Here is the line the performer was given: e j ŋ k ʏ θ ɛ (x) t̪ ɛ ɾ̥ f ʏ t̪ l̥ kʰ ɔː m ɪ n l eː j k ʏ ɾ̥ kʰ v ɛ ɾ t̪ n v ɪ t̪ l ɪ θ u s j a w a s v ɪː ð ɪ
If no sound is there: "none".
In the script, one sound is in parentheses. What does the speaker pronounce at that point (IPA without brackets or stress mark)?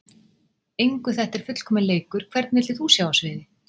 h